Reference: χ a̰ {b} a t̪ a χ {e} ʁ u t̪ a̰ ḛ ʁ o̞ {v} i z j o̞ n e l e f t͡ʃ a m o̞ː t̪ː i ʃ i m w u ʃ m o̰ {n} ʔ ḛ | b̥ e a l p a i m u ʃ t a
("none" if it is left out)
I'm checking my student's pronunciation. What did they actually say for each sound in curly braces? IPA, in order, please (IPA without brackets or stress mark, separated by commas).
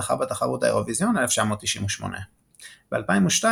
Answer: b, a, v, n